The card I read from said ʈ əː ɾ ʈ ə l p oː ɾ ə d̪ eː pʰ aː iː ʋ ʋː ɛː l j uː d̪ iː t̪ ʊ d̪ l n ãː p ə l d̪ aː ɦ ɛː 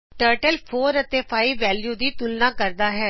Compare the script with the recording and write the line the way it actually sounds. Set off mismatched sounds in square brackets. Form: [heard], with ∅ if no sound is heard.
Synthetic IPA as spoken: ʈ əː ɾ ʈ ə l [pʰ] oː ɾ ə [t̪] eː pʰ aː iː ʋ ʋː ɛː l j uː d̪ iː t̪ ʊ [∅] l n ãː [k] ə [ɾ] d̪ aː ɦ ɛː